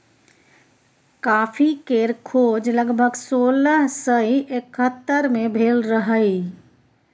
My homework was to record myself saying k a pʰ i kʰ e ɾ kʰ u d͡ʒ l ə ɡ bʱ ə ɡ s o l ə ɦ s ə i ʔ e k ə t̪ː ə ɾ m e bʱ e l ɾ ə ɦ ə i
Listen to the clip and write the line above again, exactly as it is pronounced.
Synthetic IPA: k a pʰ i k e ɾ kʰ o d͡ʒ l ə ɡ bʱ ə ɡ s o l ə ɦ s ə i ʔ e k ə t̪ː ə ɾ m e bʱ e l ɾ ə ɦ ə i